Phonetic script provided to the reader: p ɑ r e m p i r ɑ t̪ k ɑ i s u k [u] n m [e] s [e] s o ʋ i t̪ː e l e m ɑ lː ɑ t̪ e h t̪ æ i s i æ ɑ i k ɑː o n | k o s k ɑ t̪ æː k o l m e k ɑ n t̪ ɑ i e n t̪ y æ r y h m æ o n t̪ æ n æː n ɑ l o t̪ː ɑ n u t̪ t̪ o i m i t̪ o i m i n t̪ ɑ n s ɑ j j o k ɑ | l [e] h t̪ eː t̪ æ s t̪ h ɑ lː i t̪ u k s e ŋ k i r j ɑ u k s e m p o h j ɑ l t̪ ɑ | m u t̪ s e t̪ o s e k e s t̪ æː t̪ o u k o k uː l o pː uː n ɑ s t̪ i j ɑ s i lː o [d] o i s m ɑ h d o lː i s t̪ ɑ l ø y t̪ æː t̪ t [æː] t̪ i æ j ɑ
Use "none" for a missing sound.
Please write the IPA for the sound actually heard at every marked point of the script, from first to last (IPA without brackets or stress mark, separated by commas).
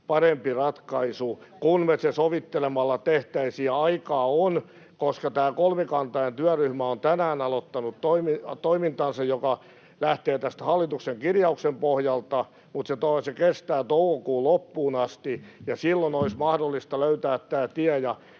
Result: u, e, e, æ, n, æː